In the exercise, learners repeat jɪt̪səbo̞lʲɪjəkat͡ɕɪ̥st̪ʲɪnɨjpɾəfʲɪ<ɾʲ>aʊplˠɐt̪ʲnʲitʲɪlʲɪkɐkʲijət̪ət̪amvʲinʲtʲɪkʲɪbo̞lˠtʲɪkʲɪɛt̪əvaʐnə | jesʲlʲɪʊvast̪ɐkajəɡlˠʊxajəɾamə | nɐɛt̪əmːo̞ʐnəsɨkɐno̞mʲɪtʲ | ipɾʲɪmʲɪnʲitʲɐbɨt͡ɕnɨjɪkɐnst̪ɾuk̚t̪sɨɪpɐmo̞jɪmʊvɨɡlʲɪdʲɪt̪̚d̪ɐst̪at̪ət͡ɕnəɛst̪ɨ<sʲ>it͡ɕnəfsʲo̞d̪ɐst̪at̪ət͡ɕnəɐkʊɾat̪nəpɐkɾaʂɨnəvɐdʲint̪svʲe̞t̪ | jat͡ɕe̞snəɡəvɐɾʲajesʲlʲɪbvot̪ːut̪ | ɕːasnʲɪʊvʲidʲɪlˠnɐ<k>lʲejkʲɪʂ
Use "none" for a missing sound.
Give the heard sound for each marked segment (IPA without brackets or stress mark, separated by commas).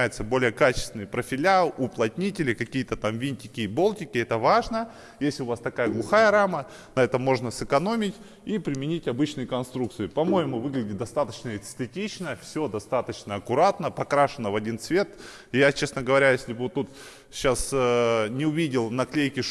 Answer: lʲ, tʲ, k